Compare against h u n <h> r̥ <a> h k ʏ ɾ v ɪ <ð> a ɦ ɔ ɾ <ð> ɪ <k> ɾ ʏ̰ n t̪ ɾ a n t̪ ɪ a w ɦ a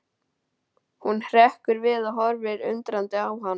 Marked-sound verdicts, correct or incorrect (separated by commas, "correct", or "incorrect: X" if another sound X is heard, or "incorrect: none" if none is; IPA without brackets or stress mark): correct, incorrect: ɛ, correct, incorrect: v, incorrect: none